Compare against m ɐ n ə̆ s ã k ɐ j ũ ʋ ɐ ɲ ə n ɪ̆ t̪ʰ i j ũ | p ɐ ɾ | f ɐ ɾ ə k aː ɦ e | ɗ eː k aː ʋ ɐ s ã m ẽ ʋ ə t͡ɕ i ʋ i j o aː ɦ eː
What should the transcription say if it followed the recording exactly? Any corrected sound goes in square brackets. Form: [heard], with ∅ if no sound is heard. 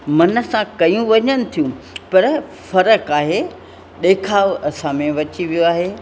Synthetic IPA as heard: m ɐ n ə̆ s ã k ɐ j ũ ʋ ɐ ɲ ə n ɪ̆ t̪ʰ i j ũ | p ɐ ɾ | f ɐ ɾ ə k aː ɦ e | ɗ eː [kʰ] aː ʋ ɐ s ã m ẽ ʋ [ɐ] t͡ɕ i ʋ i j o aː ɦ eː

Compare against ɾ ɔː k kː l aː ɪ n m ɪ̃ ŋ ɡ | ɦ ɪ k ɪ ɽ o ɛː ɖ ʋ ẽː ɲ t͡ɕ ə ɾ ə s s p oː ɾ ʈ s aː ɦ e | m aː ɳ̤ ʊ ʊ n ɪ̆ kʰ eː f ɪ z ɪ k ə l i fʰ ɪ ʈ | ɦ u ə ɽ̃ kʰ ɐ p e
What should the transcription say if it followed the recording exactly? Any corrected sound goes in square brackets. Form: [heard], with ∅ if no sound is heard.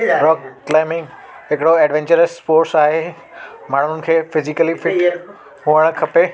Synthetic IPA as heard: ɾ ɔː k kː l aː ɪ [∅] m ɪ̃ ŋ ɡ | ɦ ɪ k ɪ ɽ o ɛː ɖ ʋ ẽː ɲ t͡ɕ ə ɾ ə s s p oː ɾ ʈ s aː ɦ e | m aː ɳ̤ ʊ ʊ n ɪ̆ kʰ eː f ɪ z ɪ k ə l i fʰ ɪ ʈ | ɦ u ə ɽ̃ kʰ ɐ p e

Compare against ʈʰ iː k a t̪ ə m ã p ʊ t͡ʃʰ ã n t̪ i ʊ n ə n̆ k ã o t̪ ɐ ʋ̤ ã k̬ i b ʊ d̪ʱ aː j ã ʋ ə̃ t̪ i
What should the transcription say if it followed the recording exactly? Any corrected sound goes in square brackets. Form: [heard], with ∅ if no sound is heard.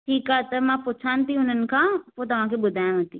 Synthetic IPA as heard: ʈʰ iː k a t̪ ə m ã p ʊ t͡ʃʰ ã n t̪ i ʊ n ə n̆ k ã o t̪ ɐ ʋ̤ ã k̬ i b ʊ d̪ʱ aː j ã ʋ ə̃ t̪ i

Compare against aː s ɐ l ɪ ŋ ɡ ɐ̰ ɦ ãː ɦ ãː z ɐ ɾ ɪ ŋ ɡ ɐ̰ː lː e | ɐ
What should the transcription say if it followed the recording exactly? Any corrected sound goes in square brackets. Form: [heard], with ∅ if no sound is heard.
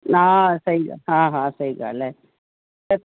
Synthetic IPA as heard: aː s ɐ [ɾ] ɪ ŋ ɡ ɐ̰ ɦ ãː ɦ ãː [s] ɐ ɾ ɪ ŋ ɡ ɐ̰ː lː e | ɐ

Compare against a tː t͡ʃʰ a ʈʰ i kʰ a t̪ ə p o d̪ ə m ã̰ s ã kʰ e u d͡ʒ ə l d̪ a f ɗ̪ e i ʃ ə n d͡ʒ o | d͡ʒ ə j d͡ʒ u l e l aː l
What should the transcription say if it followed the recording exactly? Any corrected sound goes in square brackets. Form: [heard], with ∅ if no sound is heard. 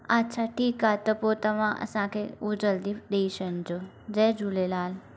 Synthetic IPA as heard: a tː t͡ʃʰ a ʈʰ i [k] a t̪ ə p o [t̪] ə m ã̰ s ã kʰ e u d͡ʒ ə l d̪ [i] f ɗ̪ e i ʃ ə n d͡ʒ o | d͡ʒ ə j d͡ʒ u l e l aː l

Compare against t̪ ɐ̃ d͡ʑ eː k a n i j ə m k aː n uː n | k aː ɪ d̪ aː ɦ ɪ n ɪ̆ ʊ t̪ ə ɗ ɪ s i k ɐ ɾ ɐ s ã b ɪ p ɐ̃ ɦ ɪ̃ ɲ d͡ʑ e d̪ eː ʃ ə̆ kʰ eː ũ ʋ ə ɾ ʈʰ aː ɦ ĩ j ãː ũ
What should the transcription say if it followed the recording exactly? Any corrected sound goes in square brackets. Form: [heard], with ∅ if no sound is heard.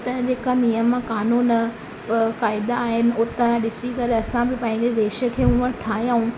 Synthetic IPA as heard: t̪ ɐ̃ d͡ʑ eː k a n i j ə m k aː n uː n | k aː ɪ d̪ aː ɦ ɪ n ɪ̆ ʊ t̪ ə ɗ ɪ s i k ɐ ɾ ɐ s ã b ɪ p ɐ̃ ɦ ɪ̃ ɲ d͡ʑ e d̪ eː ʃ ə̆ kʰ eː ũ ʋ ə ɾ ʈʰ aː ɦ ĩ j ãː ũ

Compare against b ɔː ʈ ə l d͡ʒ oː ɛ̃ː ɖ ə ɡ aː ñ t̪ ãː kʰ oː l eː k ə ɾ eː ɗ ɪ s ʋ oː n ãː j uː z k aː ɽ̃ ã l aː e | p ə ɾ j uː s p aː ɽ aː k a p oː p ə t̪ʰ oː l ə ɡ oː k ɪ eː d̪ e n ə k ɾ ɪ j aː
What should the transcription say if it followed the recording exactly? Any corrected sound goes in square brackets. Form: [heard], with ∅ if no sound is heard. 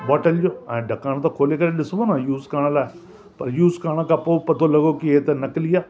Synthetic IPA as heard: b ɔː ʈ ə l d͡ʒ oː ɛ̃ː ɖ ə [k] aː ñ t̪ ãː kʰ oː l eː k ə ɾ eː ɗ ɪ s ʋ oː n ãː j uː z k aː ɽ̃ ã l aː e | p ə ɾ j uː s [k] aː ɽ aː k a p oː p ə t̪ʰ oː l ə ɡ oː k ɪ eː [t̪] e n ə k [l] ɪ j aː

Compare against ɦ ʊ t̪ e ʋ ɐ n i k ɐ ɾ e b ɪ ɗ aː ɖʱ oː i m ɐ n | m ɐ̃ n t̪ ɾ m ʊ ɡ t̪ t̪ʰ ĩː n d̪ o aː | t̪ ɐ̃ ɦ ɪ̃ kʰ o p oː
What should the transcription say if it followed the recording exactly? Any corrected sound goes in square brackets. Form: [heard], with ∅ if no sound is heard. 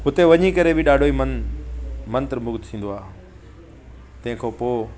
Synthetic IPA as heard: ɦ ʊ t̪ e ʋ ɐ [ɲ] i k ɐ ɾ e b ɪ ɗ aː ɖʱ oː i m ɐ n | m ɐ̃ n t̪ ɾ m ʊ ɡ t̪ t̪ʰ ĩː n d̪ o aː | t̪ ɐ̃ ɦ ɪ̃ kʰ o p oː

